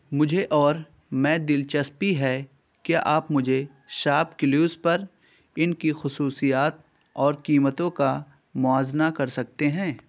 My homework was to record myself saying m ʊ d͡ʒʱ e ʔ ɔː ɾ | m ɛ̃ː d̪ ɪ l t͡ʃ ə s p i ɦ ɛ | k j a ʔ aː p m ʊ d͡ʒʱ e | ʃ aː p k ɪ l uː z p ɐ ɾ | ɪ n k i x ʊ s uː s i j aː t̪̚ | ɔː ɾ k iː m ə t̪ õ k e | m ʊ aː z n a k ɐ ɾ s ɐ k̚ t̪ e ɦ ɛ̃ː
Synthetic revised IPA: m ʊ d͡ʒʱ e ʔ ɔː ɾ | m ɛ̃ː d̪ ɪ l t͡ʃ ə s p i ɦ ɛ | k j a ʔ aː p m ʊ d͡ʒʱ e | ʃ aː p k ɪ l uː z p ɐ ɾ | ɪ n k i x ʊ s uː s i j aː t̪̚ | ɔː ɾ k iː m ə t̪ õ k a | m ʊ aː z n a k ɐ ɾ s ɐ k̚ t̪ e ɦ ɛ̃ː